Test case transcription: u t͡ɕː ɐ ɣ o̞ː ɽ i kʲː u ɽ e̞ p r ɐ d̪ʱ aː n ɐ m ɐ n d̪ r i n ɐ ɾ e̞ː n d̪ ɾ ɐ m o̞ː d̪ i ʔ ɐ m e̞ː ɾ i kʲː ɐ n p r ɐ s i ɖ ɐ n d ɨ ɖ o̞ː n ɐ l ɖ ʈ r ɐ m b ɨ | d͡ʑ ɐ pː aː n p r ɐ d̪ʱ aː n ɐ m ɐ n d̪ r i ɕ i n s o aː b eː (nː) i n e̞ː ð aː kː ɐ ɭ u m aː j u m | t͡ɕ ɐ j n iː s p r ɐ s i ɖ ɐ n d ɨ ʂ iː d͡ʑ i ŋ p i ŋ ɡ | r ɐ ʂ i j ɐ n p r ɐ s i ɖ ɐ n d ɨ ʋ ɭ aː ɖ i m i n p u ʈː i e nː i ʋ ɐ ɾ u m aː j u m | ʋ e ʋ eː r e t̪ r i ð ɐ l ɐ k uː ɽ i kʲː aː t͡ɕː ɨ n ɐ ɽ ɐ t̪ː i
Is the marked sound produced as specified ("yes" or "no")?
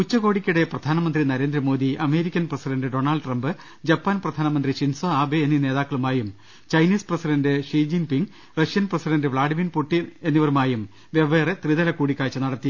yes